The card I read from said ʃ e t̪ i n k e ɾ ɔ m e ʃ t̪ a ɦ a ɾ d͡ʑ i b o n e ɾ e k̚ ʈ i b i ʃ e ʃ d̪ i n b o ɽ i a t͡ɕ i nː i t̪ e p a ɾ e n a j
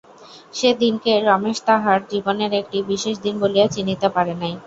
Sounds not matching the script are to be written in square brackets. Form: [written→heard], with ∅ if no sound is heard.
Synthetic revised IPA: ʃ e [t̪→d̪] i n k e ɾ ɔ m e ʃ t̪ a ɦ a ɾ d͡ʑ i b o n e ɾ e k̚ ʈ i b i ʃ e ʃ d̪ i n b o [ɽ→l] i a t͡ɕ i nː i t̪ e p a ɾ e n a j